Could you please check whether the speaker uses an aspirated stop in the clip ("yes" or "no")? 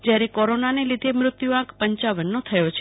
yes